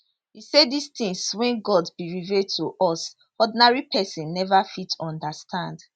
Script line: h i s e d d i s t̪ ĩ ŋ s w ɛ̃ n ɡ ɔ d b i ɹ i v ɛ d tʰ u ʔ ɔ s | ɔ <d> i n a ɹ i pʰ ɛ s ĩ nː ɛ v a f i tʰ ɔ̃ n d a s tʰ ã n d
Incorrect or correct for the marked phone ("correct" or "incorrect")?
correct